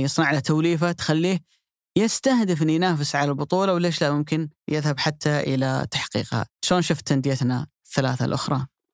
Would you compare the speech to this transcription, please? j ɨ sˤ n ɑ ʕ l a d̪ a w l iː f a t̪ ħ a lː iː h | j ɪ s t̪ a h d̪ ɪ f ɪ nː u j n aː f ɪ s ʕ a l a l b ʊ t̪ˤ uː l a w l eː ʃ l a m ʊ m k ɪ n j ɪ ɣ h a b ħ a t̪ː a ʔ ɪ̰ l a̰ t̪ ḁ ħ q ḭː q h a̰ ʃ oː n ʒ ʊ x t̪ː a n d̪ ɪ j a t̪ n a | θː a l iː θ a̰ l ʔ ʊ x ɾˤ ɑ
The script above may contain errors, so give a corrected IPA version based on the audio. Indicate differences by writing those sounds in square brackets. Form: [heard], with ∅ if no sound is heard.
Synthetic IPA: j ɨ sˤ n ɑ ʕ l a [t̪] a w l iː f a t̪ [x] a lː iː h | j ɪ s t̪ a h d̪ ɪ f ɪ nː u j n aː f ɪ s ʕ a l a l b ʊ t̪ˤ uː l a w l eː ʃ l a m ʊ m k ɪ n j ɪ [ð] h a b ħ a t̪ː a ʔ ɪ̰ l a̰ t̪ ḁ ħ q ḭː q h a̰ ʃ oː n [ʃ] ʊ [f] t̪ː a n d̪ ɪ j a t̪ n a | θː a l [aː] θ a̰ l ʔ ʊ x ɾˤ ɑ